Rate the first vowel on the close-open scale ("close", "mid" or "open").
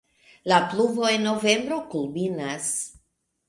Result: open